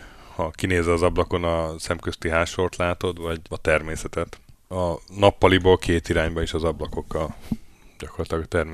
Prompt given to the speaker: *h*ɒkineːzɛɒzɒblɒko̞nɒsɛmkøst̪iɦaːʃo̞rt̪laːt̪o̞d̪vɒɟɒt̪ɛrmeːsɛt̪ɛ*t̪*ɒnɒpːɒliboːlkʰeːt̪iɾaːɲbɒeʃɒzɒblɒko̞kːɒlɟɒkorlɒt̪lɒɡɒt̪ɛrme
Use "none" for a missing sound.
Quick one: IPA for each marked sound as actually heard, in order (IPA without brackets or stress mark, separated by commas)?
h, t̪